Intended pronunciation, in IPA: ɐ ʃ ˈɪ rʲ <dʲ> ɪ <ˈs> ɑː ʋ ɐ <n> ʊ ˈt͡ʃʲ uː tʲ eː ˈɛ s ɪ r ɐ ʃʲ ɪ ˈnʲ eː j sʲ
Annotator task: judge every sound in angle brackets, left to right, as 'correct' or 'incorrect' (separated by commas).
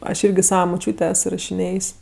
incorrect, correct, incorrect